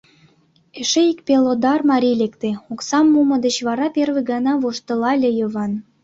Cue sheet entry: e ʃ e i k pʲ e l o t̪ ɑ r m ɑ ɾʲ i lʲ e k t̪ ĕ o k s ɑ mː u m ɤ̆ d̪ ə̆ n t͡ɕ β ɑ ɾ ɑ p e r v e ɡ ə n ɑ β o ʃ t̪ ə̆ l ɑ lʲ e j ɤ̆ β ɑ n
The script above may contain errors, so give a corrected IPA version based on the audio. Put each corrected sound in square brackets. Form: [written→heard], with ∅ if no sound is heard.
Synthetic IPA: e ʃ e i k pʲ e l o [t̪→d̪] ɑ r m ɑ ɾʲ i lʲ e k t̪ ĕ o k s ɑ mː u m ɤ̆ d̪ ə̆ [n→∅] t͡ɕ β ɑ ɾ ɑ p e r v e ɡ [ə→ɑ] n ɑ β o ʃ t̪ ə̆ l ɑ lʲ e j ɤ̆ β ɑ n